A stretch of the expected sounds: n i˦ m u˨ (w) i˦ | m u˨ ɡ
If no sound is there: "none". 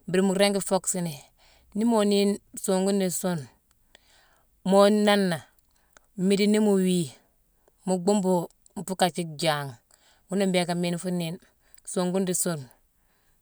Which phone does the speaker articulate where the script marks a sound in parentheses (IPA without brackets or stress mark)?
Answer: w